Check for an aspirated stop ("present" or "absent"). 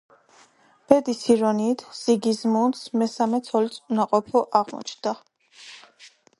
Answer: present